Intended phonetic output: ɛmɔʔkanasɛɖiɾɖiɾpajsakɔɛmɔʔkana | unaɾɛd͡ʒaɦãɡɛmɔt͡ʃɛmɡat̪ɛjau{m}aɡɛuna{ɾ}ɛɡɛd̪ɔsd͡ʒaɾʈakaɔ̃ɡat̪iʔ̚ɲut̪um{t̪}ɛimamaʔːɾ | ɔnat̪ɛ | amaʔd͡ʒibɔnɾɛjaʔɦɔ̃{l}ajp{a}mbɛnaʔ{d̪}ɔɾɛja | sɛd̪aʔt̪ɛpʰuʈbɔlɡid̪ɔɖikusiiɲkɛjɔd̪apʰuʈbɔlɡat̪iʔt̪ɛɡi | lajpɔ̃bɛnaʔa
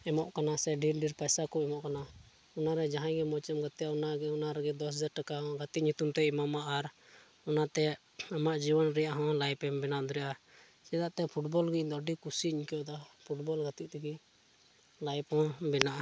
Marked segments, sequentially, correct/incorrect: incorrect: n, correct, correct, correct, incorrect: ɛ, correct

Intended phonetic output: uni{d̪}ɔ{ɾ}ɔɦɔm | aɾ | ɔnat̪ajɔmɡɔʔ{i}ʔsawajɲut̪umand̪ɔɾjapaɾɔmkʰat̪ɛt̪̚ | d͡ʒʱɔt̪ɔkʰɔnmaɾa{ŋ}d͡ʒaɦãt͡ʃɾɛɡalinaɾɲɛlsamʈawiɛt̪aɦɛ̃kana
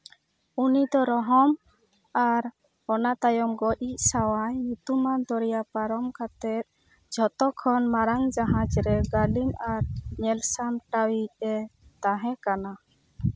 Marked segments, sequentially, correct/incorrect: correct, correct, correct, correct

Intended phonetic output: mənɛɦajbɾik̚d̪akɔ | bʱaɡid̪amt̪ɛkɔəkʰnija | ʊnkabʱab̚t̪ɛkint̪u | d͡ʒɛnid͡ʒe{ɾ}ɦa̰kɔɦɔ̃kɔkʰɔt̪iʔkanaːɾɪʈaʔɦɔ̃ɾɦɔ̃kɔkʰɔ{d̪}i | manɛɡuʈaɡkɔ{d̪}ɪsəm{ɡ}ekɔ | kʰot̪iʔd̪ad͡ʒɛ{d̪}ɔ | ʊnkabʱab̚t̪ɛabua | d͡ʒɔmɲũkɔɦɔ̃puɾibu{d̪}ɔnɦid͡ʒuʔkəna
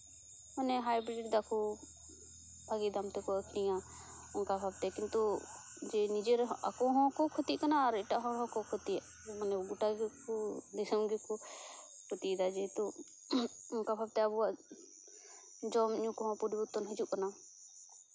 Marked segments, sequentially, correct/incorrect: correct, incorrect: t̪, correct, correct, incorrect: t̪, incorrect: t̪

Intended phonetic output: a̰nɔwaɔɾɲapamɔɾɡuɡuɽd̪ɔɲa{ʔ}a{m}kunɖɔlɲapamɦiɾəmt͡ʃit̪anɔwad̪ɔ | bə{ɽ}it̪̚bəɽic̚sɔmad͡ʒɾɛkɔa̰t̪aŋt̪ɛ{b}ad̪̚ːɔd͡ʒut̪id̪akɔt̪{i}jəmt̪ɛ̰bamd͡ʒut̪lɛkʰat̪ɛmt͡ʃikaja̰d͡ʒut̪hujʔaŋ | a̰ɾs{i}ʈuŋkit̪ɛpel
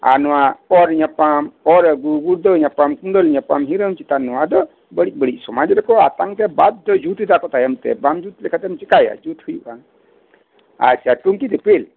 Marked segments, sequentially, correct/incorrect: incorrect: p, correct, correct, correct, incorrect: a, incorrect: a

